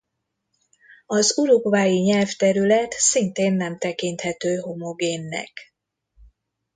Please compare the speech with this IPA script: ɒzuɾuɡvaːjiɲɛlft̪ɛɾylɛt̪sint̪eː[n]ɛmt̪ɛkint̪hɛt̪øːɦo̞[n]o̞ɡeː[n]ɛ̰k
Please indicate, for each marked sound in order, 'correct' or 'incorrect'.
incorrect: nː, incorrect: m, incorrect: nː

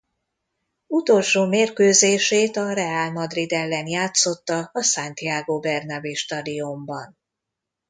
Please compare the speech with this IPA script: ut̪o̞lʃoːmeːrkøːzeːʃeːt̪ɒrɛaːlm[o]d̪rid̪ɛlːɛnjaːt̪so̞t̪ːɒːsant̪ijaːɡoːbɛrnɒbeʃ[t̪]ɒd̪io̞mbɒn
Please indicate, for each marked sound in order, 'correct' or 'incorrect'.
incorrect: ɒ, correct

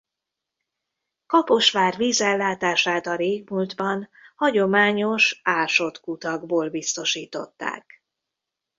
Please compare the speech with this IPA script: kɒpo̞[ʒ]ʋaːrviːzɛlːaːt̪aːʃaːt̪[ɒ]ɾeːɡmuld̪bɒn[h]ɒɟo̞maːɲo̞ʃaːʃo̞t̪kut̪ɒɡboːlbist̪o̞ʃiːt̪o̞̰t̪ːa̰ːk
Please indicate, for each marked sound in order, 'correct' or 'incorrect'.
incorrect: ʃ, correct, correct

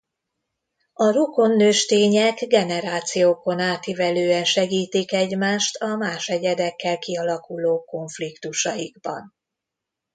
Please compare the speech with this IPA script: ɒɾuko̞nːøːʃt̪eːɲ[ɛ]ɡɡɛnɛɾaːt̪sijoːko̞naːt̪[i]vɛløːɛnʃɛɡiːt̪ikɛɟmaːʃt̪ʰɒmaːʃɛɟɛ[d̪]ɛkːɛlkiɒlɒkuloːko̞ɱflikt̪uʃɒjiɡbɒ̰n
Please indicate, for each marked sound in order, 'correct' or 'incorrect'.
correct, correct, correct

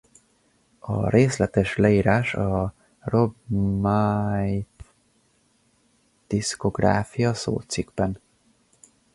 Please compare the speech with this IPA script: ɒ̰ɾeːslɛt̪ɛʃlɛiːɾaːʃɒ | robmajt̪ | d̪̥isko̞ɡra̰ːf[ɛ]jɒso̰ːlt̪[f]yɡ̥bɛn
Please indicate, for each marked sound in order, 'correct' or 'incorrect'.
incorrect: i, incorrect: s

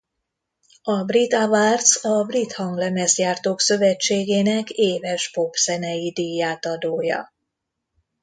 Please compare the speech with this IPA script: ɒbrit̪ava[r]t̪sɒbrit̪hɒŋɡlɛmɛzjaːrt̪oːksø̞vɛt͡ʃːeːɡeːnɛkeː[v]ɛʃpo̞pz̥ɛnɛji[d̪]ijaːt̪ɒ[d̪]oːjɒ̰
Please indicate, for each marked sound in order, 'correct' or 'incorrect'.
correct, correct, correct, correct

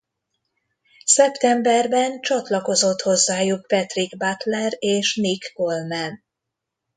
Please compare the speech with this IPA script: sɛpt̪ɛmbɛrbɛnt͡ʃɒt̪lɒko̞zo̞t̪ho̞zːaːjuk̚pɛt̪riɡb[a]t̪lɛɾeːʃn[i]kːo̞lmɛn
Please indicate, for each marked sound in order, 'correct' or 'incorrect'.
correct, correct

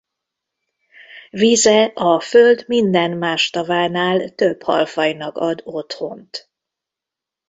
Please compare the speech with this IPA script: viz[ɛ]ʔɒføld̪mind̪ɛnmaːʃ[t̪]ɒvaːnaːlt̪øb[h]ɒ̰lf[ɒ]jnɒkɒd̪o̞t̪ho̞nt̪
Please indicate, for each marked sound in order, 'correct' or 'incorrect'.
correct, correct, correct, correct

